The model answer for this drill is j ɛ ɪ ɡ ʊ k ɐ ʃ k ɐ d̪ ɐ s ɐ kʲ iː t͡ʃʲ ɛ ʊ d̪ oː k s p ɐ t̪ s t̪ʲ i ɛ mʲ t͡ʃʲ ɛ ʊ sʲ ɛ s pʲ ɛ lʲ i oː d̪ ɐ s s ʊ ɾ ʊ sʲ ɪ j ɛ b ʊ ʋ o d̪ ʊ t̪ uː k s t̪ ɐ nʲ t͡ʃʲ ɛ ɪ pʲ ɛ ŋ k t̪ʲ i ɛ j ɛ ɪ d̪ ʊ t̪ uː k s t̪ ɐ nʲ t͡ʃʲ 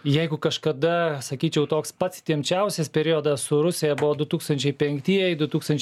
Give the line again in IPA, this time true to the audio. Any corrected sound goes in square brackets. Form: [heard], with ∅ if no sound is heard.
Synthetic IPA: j ɛ ɪ ɡ ʊ k ɐ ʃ k ɐ d̪ ɐ s ɐ kʲ iː t͡ʃʲ ɛ ʊ [t̪] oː k s p ɐ t̪ s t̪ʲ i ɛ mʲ t͡ʃʲ ɛ ʊ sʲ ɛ s pʲ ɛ [ɾʲ] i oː d̪ ɐ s s ʊ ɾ ʊ sʲ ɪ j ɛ b ʊ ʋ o d̪ ʊ t̪ uː k s t̪ ɐ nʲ t͡ʃʲ ɛ ɪ pʲ ɛ ŋ k t̪ʲ i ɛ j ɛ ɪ d̪ ʊ t̪ uː k s t̪ ɐ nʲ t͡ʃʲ